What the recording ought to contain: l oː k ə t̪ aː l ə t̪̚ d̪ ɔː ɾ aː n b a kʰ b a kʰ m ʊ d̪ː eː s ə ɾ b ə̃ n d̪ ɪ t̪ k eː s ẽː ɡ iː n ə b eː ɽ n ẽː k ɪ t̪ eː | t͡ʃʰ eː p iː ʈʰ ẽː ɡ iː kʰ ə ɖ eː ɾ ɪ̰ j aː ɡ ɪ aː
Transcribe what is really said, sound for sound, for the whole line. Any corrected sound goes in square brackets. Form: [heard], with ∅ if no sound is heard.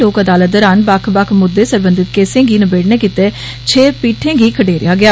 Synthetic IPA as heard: l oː k ə [d̪] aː l ə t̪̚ d̪ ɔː ɾ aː n b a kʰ b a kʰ m ʊ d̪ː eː s ə ɾ b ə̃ n d̪ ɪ t̪ k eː s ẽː ɡ iː n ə b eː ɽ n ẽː k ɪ t̪ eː | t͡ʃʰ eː p iː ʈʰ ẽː ɡ iː kʰ ə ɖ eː ɾ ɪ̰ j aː ɡ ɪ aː